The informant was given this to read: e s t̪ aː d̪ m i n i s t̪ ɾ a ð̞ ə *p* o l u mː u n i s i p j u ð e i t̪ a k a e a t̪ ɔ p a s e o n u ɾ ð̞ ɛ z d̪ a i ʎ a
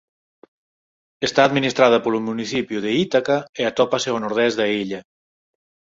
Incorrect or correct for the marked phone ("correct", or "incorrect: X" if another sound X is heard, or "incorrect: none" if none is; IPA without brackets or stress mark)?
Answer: correct